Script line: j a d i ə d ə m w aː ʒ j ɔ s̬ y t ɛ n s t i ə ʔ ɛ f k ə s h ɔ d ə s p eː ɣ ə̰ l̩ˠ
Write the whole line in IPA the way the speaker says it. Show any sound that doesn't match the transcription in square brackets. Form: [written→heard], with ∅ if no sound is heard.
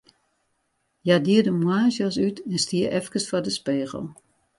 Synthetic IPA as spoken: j a d i ə d ə m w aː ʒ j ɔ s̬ y t ɛ n s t i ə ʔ ɛ f k ə s [h→f] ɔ d ə s p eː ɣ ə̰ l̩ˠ